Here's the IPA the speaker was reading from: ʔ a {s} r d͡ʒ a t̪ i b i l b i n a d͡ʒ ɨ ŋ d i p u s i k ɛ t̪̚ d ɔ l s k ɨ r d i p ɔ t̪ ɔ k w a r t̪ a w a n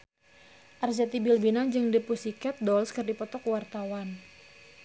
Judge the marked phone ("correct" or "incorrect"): incorrect